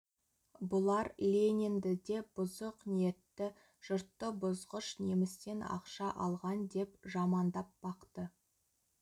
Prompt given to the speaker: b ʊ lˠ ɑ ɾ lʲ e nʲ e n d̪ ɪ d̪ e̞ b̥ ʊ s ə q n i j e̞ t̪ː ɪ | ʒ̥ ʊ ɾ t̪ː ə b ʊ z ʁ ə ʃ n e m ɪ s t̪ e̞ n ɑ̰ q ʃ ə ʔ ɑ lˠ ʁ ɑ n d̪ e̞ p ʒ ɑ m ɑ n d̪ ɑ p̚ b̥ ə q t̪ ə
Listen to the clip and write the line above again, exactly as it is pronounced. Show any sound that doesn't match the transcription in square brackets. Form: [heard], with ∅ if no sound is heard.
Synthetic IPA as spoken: b ʊ lˠ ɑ ɾ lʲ e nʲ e n d̪ ɪ d̪ e̞ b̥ ʊ [z] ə q n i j e̞ t̪ː ɪ | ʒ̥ ʊ ɾ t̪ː ə b ʊ z ʁ ə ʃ n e m ɪ s t̪ e̞ n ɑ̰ q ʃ [ɑ] ʔ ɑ lˠ ʁ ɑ n d̪ e̞ p ʒ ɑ m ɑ n d̪ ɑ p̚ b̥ [ɑ] q t̪ ə